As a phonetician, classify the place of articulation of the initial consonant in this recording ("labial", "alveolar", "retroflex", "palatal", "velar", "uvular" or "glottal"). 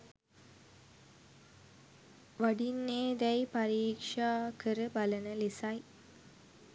labial